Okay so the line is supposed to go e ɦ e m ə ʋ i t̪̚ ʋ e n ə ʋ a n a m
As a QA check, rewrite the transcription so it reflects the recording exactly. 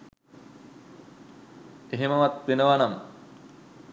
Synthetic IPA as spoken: e ɦ e m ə ʋ a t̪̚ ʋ e n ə ʋ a n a m

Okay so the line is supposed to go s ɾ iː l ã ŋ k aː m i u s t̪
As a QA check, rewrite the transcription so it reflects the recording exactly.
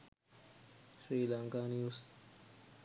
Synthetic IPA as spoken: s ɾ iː l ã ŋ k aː n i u s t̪

